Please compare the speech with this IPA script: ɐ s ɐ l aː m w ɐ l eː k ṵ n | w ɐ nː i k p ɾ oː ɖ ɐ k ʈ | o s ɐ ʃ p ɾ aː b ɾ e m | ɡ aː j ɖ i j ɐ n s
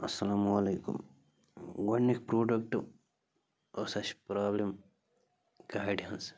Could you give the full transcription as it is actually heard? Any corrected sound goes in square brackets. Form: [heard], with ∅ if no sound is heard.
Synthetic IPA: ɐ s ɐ l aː m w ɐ l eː k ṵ [m] | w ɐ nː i k p ɾ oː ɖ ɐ k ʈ | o s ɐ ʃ p ɾ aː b [l] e m | ɡ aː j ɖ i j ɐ n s